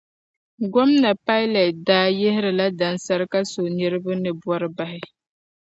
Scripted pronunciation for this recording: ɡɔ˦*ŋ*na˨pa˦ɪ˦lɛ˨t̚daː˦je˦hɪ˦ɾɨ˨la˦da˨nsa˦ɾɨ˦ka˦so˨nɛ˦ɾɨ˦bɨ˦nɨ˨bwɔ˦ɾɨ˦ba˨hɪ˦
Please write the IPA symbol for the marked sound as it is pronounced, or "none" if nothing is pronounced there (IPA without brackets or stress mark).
m